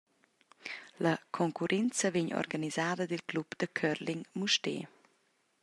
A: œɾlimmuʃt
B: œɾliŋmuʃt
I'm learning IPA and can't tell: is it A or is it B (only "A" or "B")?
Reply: B